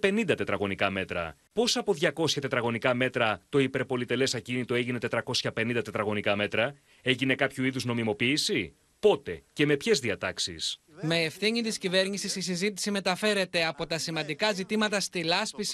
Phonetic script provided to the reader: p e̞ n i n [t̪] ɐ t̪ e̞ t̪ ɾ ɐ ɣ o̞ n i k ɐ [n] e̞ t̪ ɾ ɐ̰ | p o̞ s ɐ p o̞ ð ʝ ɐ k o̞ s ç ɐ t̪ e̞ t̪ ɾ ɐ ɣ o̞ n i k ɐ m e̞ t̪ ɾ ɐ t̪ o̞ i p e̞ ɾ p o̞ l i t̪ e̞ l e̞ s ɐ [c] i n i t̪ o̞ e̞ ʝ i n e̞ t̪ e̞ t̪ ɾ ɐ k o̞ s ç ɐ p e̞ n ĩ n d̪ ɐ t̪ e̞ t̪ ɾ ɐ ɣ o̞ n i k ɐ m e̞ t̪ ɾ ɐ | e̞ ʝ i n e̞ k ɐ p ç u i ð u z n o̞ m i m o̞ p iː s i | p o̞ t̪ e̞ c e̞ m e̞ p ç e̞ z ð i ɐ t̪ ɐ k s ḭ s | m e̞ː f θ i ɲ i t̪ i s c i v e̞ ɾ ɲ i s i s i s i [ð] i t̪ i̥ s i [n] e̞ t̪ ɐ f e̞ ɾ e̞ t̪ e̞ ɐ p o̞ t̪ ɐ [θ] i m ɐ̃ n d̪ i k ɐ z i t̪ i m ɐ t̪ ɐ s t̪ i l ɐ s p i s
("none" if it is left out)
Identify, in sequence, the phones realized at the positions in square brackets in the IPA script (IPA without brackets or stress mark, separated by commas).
d̪, m, c, z, m, s